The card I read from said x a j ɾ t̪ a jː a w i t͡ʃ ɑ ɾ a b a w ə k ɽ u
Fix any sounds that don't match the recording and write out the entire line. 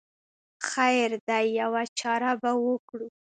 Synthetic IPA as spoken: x a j ɾ d̪ a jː a w a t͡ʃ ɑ ɾ a b a w ə k ɽ u